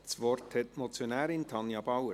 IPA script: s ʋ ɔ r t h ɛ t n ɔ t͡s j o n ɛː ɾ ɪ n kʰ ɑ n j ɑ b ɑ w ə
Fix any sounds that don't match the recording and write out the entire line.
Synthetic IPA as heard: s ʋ ɔ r t h ɛ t m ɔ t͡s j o n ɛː ɾ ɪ n tʰ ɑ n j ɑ b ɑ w ə